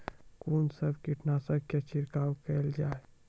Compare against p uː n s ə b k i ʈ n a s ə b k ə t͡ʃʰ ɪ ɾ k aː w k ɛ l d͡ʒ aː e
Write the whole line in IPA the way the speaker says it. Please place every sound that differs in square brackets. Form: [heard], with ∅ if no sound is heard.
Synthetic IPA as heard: [k] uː n s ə b k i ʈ n a s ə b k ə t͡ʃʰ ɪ ɾ k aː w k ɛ l d͡ʒ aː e